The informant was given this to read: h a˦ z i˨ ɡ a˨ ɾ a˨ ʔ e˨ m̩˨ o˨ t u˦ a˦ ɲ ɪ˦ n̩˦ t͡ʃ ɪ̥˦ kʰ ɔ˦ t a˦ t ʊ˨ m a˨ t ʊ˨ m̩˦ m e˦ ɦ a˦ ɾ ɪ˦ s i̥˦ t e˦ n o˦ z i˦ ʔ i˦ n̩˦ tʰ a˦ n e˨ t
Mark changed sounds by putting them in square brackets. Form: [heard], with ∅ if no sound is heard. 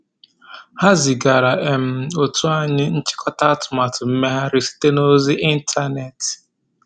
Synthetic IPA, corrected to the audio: h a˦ z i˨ ɡ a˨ ɾ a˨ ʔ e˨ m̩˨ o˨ t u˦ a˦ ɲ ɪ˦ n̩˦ t͡ʃ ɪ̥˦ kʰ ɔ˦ t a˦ t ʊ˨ m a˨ t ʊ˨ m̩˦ m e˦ ɦ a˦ ɾ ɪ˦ s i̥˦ t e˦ n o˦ z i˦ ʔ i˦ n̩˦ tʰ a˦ n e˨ t